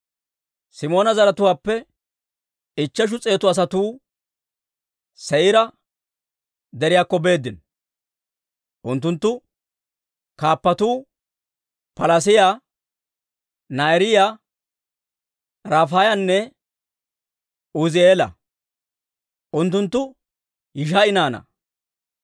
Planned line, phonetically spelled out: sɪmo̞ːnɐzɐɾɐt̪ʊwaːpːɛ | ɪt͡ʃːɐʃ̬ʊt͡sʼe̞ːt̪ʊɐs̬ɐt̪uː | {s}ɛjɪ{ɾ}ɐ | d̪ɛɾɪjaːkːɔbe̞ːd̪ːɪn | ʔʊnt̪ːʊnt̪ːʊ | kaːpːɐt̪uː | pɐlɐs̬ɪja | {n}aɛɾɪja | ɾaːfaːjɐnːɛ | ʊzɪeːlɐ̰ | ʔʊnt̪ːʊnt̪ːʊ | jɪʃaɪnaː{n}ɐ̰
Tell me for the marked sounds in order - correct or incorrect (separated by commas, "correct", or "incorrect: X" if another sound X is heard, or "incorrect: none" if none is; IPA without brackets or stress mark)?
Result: correct, correct, correct, correct